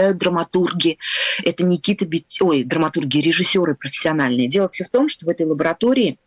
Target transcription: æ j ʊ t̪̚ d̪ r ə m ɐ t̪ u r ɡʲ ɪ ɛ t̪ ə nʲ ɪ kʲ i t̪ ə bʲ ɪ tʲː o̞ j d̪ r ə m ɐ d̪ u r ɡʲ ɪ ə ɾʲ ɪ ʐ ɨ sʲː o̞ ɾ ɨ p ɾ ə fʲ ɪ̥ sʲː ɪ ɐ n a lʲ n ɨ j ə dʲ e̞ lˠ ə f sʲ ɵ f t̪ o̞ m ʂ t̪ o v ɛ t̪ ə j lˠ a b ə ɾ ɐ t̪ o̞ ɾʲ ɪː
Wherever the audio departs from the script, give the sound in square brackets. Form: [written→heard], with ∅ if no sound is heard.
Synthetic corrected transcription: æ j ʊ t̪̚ d̪ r ə m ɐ t̪ u r ɡʲ ɪ ɛ t̪ ə nʲ ɪ kʲ i t̪ ə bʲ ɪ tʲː o̞ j d̪ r ə m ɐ [d̪→t̪] u r ɡʲ ɪ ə ɾʲ ɪ ʐ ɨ sʲː o̞ ɾ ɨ p ɾ ə fʲ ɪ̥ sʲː ɪ ɐ n a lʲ n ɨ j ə dʲ e̞ lˠ ə f sʲ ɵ f t̪ o̞ m ʂ t̪ o v ɛ t̪ ə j lˠ [a→ə] b ə ɾ ɐ t̪ o̞ ɾʲ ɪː